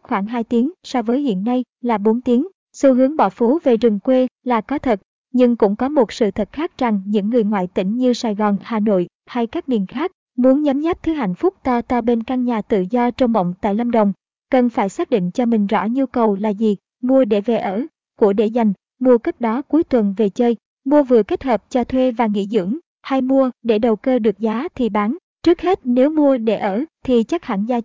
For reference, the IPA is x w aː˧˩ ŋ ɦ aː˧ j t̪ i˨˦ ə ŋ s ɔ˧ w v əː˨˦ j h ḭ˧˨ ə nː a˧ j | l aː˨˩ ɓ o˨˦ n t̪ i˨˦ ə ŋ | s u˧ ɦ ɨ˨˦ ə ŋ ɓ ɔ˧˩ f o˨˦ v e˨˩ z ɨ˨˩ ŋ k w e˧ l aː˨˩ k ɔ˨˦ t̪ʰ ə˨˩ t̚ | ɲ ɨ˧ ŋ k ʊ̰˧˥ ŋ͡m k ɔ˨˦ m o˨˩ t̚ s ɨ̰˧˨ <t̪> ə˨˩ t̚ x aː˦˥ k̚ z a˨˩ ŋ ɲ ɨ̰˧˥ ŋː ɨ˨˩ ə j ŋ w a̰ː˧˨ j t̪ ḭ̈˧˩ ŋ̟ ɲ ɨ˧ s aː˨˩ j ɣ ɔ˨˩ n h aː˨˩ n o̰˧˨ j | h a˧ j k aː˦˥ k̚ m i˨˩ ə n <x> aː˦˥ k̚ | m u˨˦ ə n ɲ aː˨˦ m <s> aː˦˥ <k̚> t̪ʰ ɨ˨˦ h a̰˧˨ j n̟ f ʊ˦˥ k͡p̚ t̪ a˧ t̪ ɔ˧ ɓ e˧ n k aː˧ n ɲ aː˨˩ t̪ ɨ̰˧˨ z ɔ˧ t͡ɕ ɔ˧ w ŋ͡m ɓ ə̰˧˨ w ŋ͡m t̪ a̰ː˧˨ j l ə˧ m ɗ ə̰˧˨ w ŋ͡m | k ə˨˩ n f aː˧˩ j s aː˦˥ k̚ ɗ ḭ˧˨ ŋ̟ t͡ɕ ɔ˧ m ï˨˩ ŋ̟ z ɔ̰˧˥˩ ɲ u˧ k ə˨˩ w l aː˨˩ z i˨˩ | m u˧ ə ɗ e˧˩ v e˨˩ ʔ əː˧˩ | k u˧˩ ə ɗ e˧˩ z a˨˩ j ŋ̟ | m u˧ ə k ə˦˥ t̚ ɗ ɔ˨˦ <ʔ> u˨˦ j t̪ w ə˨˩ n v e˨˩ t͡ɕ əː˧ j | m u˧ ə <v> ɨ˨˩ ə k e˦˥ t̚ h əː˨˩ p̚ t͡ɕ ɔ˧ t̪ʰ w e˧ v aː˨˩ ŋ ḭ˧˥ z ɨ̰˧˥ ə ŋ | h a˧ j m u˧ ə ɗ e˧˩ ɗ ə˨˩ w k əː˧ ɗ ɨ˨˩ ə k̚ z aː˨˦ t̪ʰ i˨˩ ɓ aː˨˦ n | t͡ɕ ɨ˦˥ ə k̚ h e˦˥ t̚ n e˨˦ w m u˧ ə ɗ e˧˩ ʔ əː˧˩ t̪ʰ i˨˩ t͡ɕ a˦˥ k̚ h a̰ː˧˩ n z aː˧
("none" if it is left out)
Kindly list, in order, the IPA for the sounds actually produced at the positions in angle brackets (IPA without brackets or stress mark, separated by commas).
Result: t̪ʰ, x, z, p̚, k, v